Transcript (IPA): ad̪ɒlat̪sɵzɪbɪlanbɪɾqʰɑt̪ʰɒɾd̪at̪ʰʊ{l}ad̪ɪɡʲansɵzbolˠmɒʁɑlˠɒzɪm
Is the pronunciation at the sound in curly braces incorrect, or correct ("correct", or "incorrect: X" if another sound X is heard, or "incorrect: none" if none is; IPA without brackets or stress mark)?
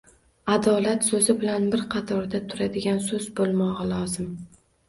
incorrect: ɾ